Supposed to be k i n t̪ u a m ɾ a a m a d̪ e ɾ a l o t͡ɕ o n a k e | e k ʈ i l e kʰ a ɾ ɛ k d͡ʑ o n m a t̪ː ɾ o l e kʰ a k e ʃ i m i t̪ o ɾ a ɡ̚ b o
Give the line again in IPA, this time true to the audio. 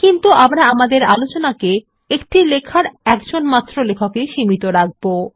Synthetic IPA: k i n t̪ u a m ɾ a a m a d̪ e ɾ a l o t͡ɕ o n a k e | e k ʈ i l e kʰ a ɾ ɛ k d͡ʑ o n m a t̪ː ɾ o l e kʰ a k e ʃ i m i t̪ o ɾ a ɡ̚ b o